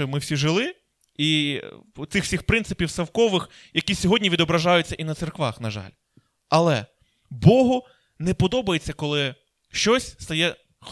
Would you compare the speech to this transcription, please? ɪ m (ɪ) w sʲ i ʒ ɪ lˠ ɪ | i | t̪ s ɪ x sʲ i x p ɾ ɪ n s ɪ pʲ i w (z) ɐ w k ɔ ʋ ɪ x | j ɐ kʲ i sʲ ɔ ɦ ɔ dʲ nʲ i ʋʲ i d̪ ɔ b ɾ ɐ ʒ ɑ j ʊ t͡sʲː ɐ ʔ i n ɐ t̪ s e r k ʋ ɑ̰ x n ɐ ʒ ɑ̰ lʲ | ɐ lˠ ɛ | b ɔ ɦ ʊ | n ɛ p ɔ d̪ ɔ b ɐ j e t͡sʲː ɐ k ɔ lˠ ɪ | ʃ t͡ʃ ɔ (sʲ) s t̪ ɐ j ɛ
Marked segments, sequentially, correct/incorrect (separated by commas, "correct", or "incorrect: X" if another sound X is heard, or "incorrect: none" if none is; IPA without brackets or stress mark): correct, incorrect: s, correct